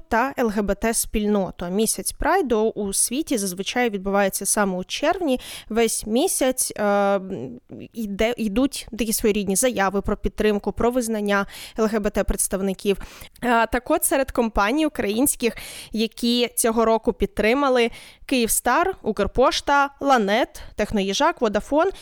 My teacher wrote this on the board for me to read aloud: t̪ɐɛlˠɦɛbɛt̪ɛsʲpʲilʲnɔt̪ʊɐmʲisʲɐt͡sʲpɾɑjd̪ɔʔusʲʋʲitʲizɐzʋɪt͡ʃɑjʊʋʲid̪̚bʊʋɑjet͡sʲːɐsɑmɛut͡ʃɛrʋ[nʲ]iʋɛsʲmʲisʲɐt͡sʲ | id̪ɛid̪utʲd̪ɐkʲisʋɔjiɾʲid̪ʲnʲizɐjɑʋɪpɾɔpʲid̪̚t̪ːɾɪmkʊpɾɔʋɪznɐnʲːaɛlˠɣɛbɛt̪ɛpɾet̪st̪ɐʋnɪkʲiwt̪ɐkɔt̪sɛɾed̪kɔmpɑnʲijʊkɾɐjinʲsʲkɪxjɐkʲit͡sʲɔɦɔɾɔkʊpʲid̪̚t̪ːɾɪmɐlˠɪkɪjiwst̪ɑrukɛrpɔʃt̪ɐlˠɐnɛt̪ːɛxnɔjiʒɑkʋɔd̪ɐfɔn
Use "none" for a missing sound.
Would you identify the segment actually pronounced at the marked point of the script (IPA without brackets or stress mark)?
nʲ